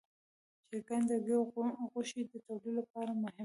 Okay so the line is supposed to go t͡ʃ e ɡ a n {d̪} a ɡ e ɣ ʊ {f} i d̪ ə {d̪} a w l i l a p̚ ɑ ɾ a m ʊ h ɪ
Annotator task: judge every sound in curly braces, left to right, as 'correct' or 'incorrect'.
correct, incorrect, incorrect

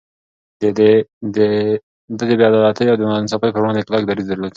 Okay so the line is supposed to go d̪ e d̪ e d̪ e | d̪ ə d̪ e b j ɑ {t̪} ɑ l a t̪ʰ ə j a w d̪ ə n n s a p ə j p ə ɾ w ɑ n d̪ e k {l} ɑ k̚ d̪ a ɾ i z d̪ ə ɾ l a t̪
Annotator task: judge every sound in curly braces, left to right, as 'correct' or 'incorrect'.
incorrect, correct

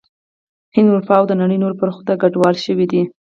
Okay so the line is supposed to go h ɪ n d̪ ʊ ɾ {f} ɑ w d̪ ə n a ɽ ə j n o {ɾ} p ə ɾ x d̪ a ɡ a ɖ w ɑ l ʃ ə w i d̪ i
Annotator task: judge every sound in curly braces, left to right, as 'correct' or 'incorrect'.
correct, correct

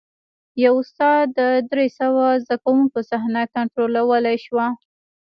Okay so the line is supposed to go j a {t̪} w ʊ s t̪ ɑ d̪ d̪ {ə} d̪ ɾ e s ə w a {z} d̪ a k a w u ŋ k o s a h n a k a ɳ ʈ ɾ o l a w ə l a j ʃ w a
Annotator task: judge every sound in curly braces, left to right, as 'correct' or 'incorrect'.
incorrect, correct, correct

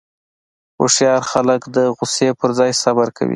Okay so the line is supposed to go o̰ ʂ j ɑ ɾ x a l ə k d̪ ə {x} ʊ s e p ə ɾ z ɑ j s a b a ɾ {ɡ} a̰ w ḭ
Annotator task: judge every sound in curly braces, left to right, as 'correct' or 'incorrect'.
incorrect, incorrect

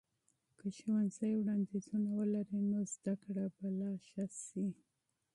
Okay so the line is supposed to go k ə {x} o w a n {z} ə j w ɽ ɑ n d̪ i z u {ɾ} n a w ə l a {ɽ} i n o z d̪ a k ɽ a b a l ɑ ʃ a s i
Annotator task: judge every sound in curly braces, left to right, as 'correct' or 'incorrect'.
incorrect, correct, incorrect, incorrect

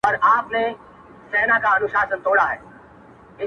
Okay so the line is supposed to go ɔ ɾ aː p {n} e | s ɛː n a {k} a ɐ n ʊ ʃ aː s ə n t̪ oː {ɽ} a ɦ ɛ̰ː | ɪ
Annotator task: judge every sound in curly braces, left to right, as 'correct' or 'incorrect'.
correct, correct, correct

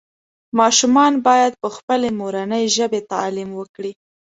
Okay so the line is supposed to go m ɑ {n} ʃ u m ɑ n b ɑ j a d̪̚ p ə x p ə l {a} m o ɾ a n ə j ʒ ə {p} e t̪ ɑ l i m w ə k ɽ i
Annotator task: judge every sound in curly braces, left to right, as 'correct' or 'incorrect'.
incorrect, incorrect, incorrect

